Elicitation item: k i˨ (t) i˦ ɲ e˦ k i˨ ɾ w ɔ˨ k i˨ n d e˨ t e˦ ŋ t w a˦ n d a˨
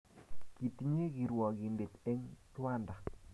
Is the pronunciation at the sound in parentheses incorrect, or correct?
correct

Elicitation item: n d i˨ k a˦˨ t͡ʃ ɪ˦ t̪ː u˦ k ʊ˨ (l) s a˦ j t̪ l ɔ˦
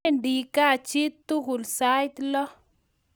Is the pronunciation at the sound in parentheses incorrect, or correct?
correct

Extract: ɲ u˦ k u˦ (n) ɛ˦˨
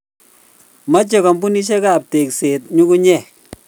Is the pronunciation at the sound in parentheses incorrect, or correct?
incorrect: ɲ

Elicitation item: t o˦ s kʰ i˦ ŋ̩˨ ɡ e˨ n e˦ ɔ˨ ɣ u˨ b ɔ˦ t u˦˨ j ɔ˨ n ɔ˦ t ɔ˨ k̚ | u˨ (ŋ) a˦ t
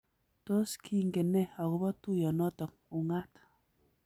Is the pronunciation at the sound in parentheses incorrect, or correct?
correct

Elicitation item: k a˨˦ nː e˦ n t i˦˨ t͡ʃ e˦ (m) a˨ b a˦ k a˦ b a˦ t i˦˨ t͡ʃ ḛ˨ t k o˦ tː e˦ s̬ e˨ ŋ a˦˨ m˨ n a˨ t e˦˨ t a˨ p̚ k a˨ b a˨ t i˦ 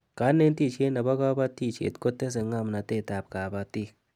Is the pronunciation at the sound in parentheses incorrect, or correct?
incorrect: n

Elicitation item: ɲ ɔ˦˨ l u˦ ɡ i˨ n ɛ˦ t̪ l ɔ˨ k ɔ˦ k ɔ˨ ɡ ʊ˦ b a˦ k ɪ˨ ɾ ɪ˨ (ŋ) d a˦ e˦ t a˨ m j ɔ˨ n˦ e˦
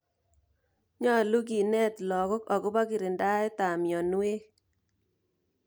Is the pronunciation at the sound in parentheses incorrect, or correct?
incorrect: n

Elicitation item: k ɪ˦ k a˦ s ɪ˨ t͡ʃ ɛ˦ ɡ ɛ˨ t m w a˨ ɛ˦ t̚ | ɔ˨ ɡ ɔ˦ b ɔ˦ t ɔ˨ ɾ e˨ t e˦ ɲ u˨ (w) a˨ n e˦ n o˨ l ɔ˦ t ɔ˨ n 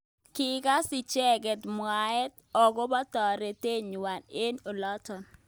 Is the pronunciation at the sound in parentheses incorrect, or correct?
correct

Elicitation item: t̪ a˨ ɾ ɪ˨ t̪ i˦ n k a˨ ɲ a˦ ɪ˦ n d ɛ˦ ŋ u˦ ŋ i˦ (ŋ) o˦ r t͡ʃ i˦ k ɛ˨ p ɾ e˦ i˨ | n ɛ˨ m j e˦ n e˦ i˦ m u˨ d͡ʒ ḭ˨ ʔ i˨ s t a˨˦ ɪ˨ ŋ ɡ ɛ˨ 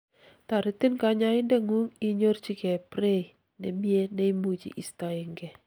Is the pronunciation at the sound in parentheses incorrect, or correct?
incorrect: ɲ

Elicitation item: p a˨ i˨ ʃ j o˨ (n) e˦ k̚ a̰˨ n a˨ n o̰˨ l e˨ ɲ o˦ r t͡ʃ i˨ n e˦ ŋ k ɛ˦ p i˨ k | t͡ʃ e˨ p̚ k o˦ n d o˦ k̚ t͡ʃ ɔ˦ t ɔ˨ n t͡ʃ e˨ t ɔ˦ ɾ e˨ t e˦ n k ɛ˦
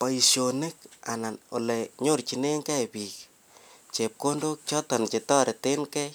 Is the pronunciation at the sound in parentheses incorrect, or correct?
correct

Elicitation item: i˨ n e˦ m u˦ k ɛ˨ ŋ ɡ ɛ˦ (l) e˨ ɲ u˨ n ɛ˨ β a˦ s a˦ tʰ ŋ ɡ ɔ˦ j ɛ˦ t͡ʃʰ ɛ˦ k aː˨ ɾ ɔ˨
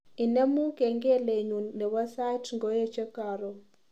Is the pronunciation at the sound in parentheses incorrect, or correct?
correct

